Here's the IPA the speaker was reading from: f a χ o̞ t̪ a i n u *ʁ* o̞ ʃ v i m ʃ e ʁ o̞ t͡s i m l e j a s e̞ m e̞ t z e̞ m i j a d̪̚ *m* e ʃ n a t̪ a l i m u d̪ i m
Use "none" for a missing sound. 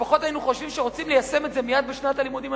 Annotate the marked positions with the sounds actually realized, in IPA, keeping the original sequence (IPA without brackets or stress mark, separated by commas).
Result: χ, b